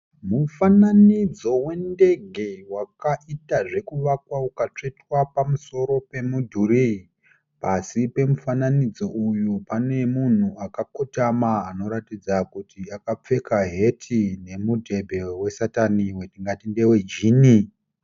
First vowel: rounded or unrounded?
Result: rounded